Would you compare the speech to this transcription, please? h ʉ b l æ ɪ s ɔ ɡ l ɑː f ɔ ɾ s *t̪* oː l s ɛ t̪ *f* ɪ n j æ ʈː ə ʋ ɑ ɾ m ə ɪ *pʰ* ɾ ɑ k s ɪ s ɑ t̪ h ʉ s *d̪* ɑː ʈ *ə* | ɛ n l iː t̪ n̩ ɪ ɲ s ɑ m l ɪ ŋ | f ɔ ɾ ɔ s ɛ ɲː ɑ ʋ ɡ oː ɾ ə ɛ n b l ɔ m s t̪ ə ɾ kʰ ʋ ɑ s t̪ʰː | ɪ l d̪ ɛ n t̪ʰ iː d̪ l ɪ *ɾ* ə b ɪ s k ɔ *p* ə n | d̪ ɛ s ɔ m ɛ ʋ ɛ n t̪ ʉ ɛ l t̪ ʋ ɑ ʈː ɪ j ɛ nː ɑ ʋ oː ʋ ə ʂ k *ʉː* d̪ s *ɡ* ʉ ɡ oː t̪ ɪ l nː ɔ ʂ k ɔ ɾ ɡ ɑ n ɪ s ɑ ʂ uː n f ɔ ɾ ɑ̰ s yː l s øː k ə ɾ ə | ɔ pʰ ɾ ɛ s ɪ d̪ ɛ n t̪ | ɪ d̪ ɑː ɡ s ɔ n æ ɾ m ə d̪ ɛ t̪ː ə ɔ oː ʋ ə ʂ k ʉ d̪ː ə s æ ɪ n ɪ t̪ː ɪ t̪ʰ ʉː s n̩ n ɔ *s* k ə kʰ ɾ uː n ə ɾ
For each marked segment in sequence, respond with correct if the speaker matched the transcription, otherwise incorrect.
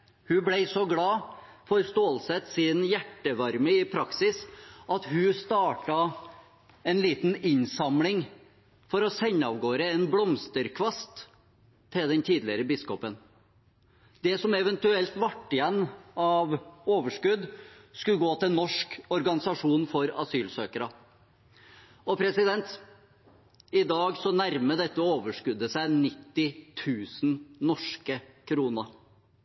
correct, incorrect, correct, incorrect, incorrect, correct, correct, incorrect, incorrect, incorrect

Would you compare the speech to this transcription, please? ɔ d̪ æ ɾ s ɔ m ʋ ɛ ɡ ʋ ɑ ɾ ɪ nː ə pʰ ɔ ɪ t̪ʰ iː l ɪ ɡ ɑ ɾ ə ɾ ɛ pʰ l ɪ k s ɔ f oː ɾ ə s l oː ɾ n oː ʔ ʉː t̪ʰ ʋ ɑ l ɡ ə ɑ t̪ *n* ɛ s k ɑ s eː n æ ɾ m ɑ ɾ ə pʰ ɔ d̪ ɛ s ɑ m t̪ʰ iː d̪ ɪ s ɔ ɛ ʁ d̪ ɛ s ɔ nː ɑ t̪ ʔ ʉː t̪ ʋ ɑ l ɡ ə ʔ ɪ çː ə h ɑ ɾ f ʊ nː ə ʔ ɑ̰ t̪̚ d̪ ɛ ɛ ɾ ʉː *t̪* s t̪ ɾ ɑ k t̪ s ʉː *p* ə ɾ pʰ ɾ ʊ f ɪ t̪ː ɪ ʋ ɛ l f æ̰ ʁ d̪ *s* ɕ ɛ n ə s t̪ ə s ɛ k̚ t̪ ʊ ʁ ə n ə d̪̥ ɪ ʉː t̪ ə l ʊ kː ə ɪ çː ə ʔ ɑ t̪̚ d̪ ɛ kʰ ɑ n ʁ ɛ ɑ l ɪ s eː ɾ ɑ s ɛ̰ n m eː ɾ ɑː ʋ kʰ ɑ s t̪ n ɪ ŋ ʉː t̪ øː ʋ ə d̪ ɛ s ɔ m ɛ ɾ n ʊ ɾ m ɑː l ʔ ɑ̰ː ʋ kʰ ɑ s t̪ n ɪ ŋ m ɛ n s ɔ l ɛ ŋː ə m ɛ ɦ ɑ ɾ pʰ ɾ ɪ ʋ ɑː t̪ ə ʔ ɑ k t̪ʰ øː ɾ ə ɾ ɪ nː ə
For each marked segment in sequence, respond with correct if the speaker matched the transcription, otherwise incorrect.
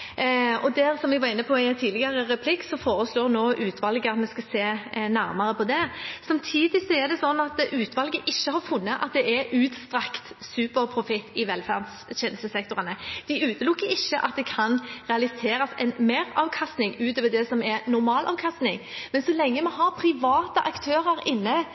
incorrect, correct, correct, correct

